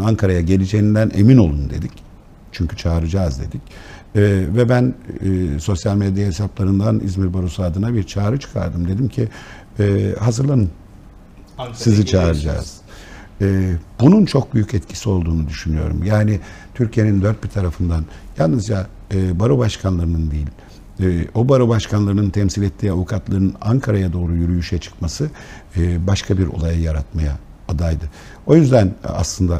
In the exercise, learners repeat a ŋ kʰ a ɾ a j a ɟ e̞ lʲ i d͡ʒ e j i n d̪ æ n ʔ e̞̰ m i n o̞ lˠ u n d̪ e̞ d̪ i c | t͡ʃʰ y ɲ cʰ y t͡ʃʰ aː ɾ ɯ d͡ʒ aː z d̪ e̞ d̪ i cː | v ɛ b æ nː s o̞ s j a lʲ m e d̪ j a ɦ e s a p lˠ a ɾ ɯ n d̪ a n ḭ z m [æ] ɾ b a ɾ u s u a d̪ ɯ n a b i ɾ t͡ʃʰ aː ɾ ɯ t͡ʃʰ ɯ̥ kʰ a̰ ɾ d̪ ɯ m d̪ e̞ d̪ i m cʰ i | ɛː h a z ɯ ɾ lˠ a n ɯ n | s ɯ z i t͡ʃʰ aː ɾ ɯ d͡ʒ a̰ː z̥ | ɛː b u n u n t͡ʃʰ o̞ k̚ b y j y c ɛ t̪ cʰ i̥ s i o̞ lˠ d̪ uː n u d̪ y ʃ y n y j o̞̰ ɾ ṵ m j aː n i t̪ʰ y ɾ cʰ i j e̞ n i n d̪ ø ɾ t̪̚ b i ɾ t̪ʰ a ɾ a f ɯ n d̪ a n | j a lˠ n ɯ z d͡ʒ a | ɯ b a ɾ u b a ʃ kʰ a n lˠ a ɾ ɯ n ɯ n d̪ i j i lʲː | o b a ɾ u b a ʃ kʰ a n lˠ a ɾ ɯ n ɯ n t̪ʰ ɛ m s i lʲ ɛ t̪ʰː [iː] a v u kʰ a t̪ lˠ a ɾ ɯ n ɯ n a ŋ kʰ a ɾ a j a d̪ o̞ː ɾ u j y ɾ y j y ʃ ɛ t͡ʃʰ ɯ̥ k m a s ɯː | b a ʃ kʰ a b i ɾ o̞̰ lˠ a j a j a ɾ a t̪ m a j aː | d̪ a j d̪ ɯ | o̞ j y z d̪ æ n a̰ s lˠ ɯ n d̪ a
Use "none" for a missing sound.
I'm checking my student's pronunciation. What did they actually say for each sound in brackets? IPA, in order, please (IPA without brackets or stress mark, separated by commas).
i, iː